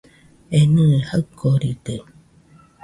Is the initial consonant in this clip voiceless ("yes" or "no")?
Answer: no